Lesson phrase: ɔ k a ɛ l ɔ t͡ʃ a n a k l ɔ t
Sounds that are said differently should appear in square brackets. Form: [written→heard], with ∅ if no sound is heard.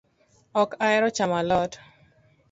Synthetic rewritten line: ɔ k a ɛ [l→ɾ] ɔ t͡ʃ a [n→m] a [k→∅] l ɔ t